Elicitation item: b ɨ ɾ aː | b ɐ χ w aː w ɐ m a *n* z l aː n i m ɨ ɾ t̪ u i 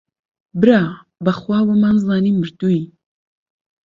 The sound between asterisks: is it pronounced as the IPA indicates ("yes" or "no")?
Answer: yes